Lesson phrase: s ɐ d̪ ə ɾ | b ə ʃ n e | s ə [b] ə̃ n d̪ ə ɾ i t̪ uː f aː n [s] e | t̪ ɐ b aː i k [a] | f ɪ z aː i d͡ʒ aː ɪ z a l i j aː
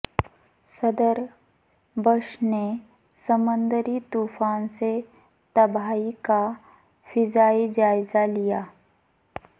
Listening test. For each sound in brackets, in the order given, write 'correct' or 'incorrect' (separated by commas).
incorrect, correct, correct